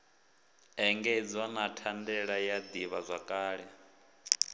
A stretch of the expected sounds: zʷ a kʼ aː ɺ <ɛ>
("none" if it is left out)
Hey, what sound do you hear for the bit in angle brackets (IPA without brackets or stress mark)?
ɛ